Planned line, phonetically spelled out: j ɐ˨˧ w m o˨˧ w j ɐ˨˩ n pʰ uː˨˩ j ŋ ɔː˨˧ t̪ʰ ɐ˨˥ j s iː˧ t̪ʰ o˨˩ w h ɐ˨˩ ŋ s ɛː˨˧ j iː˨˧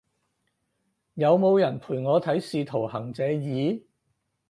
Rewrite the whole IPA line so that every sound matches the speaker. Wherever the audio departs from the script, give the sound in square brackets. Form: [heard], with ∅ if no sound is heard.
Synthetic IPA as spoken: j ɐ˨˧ w m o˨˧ w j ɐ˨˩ n pʰ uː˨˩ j ŋ ɔː˨˧ t̪ʰ ɐ˨˥ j s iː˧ t̪ʰ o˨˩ w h ɐ˨˩ ŋ [t͡s] ɛː˨˧ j iː˨˧

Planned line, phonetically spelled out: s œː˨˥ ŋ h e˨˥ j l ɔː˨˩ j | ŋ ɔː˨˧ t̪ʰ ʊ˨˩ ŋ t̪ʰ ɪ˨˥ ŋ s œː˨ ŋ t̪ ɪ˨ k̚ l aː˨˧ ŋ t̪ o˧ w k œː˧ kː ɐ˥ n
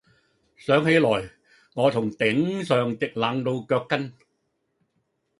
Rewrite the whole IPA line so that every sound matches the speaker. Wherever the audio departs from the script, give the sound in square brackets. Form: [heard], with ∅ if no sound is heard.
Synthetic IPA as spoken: s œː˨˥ ŋ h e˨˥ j l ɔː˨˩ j | ŋ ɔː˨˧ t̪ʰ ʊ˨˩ ŋ [t̪] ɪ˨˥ ŋ s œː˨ ŋ t̪ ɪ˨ k̚ l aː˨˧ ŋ t̪ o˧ w k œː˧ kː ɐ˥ n

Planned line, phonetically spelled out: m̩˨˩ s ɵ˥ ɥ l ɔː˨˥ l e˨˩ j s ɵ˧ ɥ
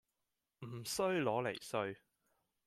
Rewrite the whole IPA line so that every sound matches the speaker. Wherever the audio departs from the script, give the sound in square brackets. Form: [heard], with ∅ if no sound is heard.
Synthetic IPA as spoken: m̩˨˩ s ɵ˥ ɥ l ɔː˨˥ l e˨˩ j s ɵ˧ ɥ

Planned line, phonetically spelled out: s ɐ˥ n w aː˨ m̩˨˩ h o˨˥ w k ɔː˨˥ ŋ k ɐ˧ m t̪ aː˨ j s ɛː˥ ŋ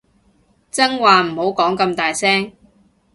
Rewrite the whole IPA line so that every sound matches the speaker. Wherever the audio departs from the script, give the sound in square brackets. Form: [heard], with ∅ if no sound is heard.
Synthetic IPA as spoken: [t͡s] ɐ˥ [ŋ] w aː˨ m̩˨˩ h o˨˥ w k ɔː˨˥ ŋ k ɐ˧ m t̪ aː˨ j s ɛː˥ ŋ

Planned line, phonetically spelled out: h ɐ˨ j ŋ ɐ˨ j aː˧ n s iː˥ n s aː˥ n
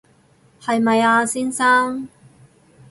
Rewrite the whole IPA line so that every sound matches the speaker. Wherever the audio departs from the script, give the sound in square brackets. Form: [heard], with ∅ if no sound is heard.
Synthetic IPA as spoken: h ɐ˨ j [m] ɐ˨ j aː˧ [∅] s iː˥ n s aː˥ [ŋ]

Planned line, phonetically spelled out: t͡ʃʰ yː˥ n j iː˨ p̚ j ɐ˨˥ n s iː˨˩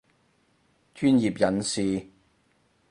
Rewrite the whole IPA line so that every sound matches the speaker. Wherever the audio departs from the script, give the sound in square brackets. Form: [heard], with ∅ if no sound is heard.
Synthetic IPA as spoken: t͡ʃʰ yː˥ n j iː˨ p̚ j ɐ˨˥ n s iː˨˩

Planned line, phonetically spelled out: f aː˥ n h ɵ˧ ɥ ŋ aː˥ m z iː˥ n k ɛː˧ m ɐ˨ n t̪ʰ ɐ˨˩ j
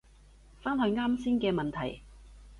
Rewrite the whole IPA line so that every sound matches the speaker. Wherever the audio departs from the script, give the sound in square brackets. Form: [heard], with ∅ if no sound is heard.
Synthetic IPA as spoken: f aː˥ n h ɵ˧ ɥ ŋ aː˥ m [s] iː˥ n k ɛː˧ m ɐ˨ n t̪ʰ ɐ˨˩ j

